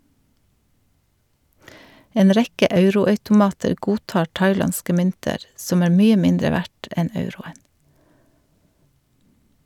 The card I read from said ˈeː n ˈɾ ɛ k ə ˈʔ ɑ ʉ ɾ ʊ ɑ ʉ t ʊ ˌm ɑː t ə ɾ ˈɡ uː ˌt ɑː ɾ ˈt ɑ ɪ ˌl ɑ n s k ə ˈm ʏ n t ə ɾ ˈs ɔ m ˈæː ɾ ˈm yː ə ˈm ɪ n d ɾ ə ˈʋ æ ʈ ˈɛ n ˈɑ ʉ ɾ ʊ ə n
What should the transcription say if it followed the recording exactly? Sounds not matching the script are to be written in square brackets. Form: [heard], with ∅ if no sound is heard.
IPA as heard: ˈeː n ˈɾ ɛ k ə ˈʔ ɑ ʉ ɾ ʊ ɑ ʉ t ʊ ˌm ɑː t ə ɾ ˈɡ uː ˌt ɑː ɾ ˈt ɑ ɪ ˌl ɑ n s k ə ˈm ʏ n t ə ɾ ˈs ɔ m ˈæː ɾ ˈm yː ə ˈm ɪ n d ɾ ə ˈʋ æ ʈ ˈɛ n ˈɑ ʉ ɾ ʊ ə n